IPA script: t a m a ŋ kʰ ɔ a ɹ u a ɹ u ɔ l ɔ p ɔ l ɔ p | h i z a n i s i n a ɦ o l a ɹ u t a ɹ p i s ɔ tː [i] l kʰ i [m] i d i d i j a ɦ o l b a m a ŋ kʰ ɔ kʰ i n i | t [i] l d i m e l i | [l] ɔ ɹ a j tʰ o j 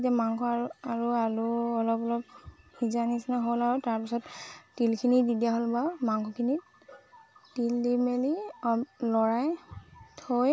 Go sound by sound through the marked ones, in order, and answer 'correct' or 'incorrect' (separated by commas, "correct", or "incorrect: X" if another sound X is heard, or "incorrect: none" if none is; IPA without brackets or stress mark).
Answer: correct, incorrect: n, correct, correct